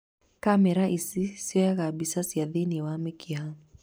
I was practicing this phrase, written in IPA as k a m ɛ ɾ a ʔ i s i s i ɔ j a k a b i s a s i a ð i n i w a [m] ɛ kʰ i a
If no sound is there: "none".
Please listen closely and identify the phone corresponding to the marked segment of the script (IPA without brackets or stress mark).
m